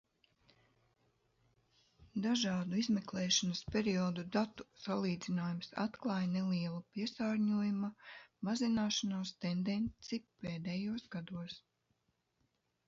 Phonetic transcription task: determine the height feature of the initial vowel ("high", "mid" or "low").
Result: low